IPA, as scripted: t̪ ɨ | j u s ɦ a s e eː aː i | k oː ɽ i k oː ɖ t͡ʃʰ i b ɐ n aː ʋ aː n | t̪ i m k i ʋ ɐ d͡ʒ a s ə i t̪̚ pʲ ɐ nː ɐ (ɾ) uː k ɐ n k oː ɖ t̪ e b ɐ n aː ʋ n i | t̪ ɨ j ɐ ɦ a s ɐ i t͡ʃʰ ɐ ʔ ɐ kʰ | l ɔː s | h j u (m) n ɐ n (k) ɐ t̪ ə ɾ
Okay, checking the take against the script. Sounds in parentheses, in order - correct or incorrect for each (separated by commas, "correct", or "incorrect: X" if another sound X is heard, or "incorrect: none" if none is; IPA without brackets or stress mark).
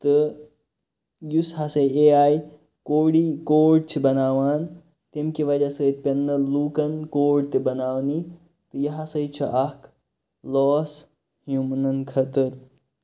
incorrect: l, correct, incorrect: kʰ